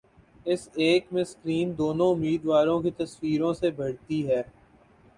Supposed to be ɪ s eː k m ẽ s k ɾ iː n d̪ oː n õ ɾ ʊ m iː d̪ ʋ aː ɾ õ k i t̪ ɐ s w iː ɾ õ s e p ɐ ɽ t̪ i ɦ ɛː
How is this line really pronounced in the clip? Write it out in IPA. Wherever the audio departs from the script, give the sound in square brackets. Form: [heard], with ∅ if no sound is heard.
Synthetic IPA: ɪ s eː k m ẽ s k ɾ iː n d̪ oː n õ [∅] ʊ m iː d̪ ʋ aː ɾ õ k i t̪ ɐ s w iː ɾ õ s e [b] ɐ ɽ t̪ i ɦ ɛː